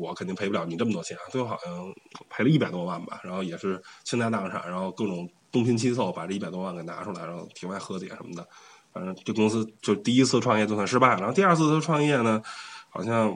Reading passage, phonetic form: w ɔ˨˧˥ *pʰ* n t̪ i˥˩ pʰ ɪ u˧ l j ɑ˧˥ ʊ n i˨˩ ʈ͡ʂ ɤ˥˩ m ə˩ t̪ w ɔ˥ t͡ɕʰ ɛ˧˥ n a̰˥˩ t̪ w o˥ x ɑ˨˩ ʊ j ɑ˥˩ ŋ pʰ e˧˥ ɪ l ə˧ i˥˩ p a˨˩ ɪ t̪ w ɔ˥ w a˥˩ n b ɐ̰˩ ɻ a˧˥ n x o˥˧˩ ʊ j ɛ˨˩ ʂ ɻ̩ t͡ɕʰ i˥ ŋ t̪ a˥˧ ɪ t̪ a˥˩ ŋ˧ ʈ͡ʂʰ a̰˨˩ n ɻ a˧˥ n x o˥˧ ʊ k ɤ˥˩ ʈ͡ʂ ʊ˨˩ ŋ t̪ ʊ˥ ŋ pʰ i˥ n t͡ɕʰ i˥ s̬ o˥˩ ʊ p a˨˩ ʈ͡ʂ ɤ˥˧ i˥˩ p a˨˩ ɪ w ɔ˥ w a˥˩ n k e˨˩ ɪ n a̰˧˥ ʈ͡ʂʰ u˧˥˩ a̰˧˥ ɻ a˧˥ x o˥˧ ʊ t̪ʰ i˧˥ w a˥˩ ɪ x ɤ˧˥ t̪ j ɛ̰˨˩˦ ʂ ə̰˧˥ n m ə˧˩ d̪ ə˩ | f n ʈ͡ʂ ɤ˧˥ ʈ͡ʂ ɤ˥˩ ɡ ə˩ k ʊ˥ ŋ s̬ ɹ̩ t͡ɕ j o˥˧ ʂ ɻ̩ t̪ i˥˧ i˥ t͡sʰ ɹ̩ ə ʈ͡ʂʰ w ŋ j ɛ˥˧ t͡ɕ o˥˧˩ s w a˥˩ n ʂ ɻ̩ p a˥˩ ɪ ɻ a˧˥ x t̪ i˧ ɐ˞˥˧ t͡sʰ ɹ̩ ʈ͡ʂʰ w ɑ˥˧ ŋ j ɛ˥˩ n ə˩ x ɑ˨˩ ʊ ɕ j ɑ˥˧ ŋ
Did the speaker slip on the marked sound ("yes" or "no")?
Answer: yes